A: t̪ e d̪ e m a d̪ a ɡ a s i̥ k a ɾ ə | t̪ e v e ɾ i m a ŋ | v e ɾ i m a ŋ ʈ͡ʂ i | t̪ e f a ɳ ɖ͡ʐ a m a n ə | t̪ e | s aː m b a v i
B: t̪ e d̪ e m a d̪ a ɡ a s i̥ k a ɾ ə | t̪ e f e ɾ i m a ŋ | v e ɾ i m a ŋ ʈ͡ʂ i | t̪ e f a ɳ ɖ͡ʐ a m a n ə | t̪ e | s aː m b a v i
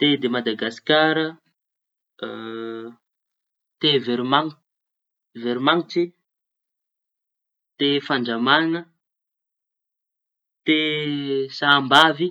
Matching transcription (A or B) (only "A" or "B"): A